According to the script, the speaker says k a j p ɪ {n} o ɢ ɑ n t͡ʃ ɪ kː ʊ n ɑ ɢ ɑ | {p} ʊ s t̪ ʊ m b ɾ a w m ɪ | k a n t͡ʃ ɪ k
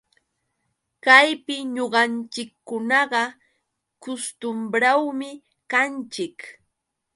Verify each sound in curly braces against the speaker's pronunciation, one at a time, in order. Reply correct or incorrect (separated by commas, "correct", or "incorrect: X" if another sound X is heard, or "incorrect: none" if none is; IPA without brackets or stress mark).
incorrect: ɲ, incorrect: k